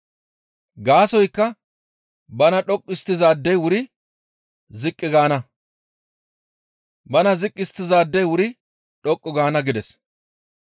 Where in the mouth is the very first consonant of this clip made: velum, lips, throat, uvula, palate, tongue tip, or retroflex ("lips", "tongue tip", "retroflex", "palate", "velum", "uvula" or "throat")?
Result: velum